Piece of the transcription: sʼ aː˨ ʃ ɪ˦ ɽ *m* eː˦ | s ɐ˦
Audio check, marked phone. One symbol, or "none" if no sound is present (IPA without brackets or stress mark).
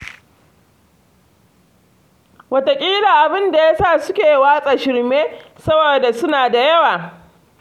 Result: m